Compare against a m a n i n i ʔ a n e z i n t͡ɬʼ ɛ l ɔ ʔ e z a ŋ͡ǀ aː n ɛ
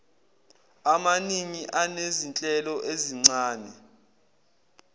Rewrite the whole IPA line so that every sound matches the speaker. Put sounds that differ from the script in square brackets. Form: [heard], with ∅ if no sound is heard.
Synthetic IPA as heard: a m a n i [ŋ] i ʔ a n e z i n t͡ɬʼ ɛ l ɔ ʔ e z [i] ŋ͡ǀ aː n ɛ

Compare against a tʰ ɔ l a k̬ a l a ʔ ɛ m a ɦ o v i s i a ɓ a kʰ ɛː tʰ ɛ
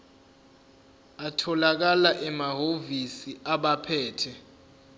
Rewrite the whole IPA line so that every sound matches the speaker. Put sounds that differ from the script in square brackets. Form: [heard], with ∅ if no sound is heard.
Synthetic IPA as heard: a tʰ ɔ l a k̬ a l a ʔ ɛ m a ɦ o v i s i a ɓ a [pʰ] ɛː tʰ ɛ

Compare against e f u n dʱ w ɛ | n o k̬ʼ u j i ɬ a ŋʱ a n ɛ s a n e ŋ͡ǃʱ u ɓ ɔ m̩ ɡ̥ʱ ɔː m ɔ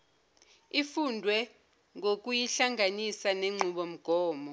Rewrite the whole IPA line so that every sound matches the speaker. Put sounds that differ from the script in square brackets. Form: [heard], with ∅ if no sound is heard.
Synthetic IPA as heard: [i] f u n dʱ w ɛ | [ŋ] o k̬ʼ u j i ɬ a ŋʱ a n [i] s a n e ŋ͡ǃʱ u ɓ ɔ m̩ ɡ̥ʱ ɔː m ɔ

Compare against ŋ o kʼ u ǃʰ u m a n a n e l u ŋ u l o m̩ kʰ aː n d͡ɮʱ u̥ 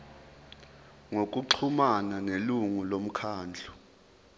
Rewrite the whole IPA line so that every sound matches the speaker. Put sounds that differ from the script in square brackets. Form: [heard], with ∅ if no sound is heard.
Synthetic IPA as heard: ŋ o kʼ u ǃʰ u m a n a n e l u ŋ u l o m̩ kʰ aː n d͡ɮʱ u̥

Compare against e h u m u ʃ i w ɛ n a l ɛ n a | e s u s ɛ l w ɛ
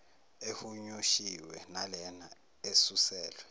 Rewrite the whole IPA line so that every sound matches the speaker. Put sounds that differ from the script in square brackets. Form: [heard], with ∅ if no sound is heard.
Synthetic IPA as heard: e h u [ɲ] u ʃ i w ɛ n a l ɛ n a | e s u s [ɛː] l w ɛ

